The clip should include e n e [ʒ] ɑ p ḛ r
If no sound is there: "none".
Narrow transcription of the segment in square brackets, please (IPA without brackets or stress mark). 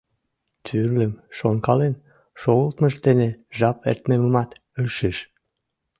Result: ʒ